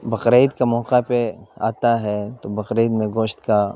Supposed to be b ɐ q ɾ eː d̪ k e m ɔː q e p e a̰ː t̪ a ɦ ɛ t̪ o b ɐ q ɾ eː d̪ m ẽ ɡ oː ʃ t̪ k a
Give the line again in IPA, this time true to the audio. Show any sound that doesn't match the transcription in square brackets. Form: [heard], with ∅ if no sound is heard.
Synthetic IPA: b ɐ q ɾ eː d̪ k [a] m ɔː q [a] p e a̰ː t̪ a ɦ ɛ t̪ o b ɐ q ɾ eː d̪ m ẽ ɡ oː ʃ t̪ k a